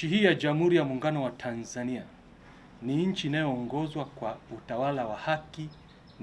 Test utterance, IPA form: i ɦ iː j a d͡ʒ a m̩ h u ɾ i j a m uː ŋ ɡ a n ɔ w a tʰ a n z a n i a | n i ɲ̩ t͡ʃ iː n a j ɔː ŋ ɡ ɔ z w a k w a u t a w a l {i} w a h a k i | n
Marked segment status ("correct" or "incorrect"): incorrect